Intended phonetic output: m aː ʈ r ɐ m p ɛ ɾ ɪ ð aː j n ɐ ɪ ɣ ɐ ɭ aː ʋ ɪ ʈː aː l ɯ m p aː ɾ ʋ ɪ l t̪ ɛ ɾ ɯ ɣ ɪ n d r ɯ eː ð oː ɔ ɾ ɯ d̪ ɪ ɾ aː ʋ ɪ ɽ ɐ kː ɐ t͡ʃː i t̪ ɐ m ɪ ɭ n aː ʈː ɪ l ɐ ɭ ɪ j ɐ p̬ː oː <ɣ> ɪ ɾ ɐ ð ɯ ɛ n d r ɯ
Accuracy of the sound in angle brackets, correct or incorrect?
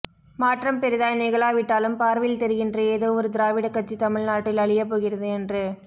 correct